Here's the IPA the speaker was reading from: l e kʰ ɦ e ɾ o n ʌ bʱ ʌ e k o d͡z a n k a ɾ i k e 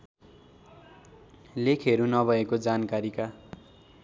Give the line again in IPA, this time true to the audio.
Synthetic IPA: l e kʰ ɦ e ɾ u n ʌ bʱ ʌ e k o d͡z a n k a ɾ i k a